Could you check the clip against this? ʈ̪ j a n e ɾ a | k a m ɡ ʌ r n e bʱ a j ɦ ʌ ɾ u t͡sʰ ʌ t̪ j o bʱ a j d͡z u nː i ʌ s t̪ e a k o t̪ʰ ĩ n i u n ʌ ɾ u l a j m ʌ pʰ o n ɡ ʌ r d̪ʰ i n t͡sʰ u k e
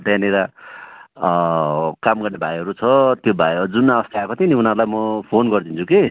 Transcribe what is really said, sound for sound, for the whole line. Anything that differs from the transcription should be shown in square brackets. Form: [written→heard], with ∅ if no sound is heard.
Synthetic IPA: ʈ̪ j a n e ɾ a | k a m ɡ ʌ r n e bʱ a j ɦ ʌ ɾ u t͡sʰ ʌ t̪ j o bʱ a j d͡z u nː [i→a] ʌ s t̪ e a k o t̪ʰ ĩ n i u n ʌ ɾ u l a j m ʌ pʰ o n ɡ ʌ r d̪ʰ i n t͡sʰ u k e